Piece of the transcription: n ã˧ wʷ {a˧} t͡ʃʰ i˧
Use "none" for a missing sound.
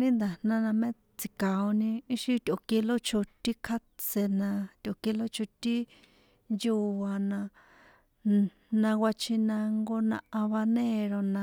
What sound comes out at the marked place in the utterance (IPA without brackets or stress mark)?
a˧